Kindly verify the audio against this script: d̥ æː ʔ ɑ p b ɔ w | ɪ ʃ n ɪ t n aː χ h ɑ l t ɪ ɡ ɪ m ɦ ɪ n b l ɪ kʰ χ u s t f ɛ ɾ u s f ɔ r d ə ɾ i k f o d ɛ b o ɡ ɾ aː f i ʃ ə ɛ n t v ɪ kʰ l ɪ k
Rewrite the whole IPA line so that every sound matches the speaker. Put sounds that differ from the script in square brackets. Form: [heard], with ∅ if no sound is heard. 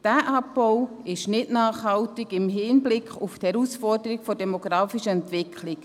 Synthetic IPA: d̥ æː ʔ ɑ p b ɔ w | ɪ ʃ n ɪ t n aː χ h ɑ l t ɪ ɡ ɪ m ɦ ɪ n b l ɪ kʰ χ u [f] t [h] ɛ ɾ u s f ɔ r d ə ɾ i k f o d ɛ [m] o ɡ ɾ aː f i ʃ ə ɛ n t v ɪ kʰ l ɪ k